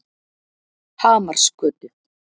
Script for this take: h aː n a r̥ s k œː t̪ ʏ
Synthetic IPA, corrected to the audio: h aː m a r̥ s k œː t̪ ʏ